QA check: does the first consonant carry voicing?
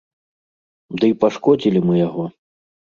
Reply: yes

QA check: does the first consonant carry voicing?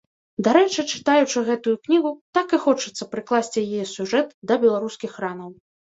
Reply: yes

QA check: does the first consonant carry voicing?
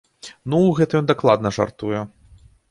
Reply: yes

